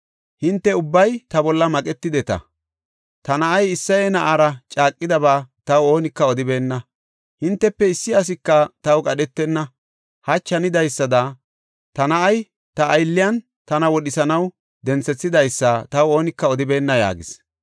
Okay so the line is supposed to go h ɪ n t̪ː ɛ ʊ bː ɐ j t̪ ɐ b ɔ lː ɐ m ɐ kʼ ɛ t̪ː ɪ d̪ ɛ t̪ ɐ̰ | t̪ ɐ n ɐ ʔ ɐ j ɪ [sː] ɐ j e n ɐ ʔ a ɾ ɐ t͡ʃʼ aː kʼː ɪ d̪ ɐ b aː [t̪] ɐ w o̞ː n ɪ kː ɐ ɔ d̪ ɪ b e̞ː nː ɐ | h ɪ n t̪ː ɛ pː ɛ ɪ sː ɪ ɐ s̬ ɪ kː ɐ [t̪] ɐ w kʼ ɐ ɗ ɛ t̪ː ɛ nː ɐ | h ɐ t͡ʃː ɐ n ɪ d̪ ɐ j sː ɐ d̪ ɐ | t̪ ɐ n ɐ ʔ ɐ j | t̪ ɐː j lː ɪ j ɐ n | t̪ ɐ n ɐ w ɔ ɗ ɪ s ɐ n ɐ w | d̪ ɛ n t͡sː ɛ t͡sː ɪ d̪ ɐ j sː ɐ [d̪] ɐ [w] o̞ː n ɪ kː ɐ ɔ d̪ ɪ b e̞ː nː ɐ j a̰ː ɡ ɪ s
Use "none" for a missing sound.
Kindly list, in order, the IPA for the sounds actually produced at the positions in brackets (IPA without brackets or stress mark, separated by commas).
sː, t̪, t̪, t̪, w